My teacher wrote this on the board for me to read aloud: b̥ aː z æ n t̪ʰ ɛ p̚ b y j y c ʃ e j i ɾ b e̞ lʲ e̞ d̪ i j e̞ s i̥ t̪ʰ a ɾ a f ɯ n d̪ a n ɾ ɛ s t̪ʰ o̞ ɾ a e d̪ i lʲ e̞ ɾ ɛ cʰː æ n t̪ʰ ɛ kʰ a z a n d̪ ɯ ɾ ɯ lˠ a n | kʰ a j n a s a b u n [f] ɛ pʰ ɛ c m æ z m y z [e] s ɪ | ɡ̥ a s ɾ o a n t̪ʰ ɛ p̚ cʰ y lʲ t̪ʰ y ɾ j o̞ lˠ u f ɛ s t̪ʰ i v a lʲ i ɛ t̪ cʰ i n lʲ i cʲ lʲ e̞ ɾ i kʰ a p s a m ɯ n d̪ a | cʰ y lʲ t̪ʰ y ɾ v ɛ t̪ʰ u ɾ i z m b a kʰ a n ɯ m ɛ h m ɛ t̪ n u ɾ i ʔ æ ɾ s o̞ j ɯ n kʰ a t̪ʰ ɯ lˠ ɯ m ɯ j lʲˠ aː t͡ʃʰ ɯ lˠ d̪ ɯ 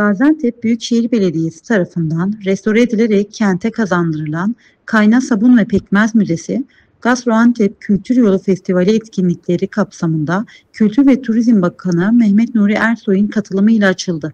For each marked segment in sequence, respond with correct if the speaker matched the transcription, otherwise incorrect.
incorrect: v, correct

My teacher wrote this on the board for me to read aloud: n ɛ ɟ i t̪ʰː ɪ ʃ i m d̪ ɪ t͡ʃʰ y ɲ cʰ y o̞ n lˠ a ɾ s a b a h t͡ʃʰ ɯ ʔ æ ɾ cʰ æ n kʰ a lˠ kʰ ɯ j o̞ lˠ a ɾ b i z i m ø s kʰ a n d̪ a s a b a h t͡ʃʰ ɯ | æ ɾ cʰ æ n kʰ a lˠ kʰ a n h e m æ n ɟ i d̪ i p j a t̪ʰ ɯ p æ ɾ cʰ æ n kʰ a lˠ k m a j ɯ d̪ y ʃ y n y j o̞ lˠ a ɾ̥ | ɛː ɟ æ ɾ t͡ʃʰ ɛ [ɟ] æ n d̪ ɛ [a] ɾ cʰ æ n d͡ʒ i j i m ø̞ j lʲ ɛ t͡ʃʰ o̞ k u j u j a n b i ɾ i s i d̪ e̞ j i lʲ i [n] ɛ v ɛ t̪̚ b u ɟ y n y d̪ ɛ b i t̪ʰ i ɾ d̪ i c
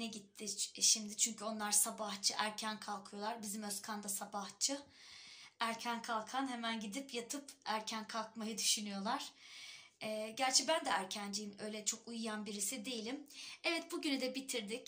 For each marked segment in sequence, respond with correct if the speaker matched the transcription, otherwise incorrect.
incorrect: b, incorrect: æ, incorrect: m

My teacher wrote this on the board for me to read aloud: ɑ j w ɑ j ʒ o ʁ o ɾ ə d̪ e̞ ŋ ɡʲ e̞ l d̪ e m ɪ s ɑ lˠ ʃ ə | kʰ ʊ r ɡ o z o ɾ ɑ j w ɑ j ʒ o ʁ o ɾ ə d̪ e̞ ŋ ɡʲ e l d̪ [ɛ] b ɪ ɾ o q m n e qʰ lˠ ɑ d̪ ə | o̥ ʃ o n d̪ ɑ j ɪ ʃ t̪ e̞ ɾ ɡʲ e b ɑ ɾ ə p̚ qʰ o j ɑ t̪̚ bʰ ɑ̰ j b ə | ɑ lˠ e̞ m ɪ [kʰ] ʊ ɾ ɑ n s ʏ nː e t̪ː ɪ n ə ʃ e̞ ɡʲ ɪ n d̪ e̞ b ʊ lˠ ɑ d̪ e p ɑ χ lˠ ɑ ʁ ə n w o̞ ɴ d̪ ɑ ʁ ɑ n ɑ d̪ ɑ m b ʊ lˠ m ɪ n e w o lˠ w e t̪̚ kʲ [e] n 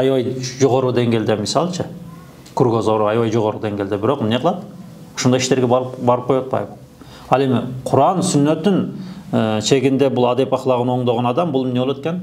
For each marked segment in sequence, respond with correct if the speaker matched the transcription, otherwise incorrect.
incorrect: e, incorrect: qʰ, correct

